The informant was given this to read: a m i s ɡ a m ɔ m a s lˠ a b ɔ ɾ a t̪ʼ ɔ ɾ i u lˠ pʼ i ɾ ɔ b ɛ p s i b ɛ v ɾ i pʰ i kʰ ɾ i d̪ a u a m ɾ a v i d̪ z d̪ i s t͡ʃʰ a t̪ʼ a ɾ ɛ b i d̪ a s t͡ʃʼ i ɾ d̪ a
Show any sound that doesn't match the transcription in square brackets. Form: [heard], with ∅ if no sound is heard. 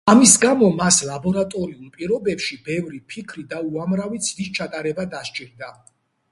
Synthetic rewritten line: a m i s ɡ a m ɔ m a s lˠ a b ɔ ɾ a t̪ʼ ɔ ɾ i u lˠ pʼ i ɾ ɔ b ɛ p [ʃ] i b ɛ v ɾ i pʰ i kʰ ɾ i d̪ a u a m ɾ a v i d̪ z d̪ i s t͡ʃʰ a t̪ʼ a ɾ ɛ b [a] d̪ a [ʃ] t͡ʃʼ i ɾ d̪ a